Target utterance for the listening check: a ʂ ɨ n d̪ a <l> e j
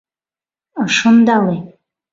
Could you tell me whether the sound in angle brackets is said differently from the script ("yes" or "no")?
no